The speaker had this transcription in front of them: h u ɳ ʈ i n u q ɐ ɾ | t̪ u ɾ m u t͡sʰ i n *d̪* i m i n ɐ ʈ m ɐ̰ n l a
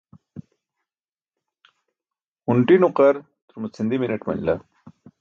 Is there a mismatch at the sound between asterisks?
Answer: no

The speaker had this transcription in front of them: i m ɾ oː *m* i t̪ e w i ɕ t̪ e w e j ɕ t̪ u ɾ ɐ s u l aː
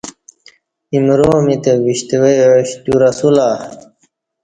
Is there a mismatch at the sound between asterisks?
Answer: no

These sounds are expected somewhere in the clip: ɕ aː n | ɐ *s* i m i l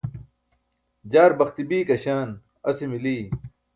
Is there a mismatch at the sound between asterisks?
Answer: no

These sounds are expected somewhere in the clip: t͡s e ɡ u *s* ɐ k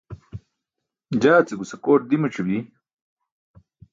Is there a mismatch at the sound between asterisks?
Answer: no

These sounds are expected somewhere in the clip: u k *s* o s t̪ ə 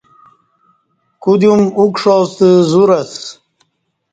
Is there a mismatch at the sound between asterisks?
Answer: yes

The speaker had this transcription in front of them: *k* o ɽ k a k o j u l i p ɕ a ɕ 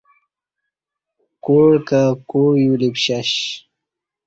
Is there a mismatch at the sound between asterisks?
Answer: no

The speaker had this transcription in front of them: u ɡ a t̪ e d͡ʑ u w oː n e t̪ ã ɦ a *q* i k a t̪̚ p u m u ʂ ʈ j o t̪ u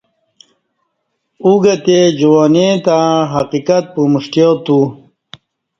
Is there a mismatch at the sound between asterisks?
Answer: no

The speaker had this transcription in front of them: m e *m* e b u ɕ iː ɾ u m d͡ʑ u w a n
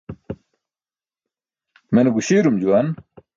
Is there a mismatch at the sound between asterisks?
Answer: yes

